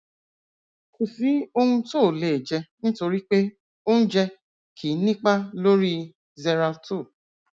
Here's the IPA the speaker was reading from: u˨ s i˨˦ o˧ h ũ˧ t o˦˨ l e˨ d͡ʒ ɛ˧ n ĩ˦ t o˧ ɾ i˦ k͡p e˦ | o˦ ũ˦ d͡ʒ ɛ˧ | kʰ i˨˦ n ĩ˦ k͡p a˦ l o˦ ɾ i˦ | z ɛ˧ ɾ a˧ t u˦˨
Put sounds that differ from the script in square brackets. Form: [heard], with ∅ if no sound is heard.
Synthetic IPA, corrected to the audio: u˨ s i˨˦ o˧ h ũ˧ t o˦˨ l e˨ d͡ʒ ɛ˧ n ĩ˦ t o˧ ɾ i˦ k͡p e˦ | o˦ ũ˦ d͡ʒ ɛ˧ | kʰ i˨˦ n ĩ˦ k͡p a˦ l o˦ ɾ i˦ | z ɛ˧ ɾ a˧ t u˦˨